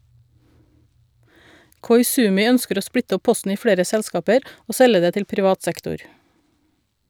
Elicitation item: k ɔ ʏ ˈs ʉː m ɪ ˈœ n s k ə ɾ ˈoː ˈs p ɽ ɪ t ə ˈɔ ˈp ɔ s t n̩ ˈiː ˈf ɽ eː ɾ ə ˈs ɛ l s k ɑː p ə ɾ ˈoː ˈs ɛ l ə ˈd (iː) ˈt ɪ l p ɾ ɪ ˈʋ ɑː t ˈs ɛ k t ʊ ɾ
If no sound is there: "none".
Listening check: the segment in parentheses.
eː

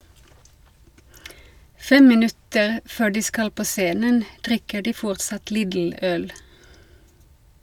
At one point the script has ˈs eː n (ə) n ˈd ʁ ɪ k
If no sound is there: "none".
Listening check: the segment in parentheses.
ə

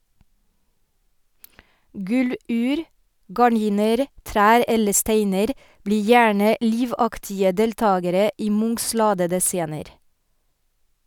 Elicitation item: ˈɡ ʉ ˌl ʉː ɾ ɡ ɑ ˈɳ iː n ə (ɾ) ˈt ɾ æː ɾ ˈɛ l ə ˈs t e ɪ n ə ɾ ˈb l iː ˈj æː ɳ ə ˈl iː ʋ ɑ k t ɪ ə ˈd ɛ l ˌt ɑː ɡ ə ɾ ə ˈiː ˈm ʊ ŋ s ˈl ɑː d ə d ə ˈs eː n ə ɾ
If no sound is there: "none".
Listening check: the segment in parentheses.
ɾ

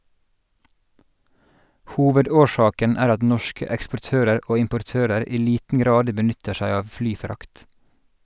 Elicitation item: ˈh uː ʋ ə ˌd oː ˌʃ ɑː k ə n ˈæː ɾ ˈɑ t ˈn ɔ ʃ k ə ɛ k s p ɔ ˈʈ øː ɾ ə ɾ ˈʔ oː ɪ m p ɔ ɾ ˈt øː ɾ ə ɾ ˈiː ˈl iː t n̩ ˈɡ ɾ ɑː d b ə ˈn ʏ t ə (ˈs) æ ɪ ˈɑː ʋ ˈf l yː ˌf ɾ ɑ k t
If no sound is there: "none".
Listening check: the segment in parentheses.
ʃ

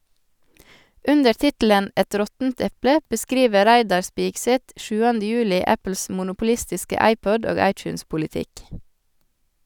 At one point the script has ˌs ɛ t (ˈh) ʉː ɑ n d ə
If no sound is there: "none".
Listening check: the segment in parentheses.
ʃ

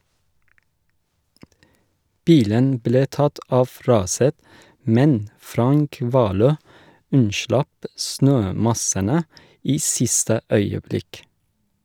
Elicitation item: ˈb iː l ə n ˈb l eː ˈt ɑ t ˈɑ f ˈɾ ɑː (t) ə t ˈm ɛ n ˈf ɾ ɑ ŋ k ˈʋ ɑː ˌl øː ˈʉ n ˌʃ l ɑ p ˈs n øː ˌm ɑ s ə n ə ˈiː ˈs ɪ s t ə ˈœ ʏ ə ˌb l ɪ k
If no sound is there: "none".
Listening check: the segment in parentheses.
s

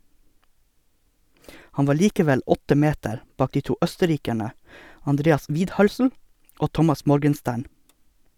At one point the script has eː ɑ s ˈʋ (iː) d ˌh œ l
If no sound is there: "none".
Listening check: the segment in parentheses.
iː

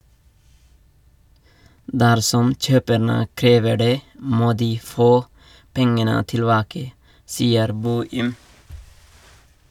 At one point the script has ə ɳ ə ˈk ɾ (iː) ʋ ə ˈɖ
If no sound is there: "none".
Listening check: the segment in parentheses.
eː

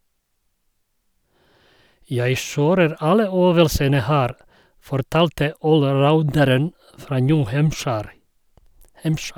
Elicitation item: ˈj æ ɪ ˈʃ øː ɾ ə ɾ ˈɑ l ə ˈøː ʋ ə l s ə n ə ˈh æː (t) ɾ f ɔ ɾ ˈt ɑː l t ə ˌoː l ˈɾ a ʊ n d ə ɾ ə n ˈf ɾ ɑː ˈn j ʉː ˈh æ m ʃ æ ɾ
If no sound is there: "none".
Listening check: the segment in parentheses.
none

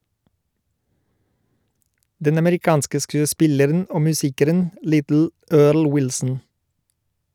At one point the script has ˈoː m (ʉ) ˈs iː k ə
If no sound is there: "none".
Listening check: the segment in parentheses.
ʉ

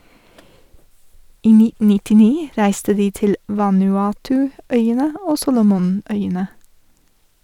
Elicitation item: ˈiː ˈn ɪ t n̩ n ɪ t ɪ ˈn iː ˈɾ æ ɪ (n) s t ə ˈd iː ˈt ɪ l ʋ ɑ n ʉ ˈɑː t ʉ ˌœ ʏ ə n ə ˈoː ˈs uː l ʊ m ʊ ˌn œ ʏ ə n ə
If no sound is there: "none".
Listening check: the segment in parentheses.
none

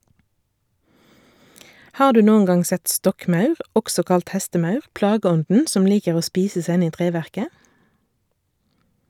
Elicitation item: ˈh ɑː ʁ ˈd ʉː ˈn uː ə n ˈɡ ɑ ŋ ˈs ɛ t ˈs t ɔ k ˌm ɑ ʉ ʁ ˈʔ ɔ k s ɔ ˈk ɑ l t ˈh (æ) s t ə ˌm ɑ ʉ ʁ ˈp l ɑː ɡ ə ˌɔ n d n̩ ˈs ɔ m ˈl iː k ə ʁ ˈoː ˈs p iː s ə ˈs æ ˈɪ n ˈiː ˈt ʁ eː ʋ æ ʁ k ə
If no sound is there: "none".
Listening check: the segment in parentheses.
ɛ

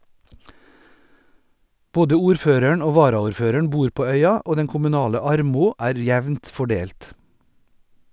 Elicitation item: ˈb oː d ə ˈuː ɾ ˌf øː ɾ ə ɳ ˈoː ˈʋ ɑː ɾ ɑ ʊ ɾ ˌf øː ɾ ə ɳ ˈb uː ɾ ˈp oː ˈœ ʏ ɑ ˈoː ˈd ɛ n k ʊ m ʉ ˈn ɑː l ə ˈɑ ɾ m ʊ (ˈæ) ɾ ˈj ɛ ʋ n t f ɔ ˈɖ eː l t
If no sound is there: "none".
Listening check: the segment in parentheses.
æː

